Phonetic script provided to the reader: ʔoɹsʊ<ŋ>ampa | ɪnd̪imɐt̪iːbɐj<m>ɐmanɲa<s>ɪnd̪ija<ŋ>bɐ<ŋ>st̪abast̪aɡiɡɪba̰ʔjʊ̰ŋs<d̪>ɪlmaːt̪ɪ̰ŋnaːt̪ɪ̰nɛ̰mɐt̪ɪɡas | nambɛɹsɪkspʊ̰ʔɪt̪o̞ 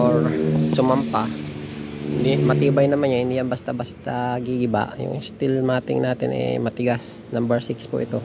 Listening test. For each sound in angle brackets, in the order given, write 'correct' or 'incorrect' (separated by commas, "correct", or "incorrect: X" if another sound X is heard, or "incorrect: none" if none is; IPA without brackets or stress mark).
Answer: incorrect: m, incorrect: n, incorrect: h, incorrect: n, incorrect: none, incorrect: t̪